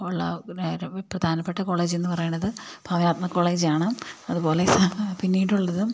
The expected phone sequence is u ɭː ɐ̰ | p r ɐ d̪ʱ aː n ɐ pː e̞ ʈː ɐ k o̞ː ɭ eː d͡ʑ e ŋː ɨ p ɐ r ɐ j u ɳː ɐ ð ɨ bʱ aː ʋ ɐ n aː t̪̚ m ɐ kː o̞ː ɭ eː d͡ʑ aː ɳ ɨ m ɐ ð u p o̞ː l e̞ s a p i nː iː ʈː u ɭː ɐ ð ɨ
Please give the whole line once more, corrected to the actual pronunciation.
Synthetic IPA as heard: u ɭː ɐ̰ | p r ɐ d̪ʱ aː n ɐ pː e̞ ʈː ɐ k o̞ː ɭ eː d͡ʑ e nː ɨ p ɐ r ɐ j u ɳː ɐ ð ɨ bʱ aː ʋ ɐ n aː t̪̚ m ɐ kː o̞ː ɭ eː d͡ʑ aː ɳ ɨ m ɐ ð u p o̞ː l e̞ s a p i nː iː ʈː u ɭː ɐ ð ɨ